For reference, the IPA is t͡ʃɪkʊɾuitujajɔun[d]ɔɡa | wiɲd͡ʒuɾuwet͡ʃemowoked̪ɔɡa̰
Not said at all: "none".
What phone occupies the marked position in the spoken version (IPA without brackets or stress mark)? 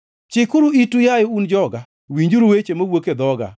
d͡ʒ